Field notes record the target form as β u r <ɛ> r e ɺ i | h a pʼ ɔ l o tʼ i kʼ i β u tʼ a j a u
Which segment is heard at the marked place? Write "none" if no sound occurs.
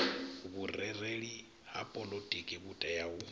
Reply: ɛ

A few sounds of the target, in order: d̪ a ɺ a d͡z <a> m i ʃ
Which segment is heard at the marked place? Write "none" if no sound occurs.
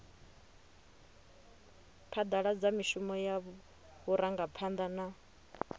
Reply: a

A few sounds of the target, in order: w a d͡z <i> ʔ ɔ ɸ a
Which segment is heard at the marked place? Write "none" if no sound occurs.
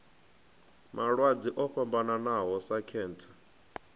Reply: i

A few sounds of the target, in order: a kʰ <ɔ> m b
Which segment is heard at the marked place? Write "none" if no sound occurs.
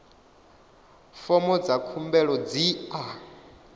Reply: u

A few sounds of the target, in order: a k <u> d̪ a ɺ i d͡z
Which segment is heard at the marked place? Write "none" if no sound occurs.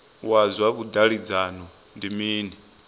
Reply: u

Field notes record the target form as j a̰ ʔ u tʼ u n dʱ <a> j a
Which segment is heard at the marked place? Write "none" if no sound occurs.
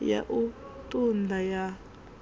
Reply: a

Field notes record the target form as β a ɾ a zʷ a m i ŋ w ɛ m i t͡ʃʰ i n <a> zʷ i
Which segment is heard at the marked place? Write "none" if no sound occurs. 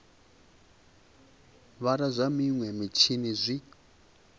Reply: i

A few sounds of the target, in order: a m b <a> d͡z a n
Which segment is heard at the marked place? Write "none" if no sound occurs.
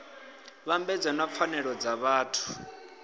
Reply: ɛ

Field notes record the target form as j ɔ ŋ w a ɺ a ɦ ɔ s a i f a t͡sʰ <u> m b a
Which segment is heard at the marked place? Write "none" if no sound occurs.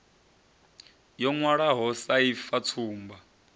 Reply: uː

